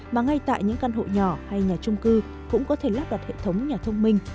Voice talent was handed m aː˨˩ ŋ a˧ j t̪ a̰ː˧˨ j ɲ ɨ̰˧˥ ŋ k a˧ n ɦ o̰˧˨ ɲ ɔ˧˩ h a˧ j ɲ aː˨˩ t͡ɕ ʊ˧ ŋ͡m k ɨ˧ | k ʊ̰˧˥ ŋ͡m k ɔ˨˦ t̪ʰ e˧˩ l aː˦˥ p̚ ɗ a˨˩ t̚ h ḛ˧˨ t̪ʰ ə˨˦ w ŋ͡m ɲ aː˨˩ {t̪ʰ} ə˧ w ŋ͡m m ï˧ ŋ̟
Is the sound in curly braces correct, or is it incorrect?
correct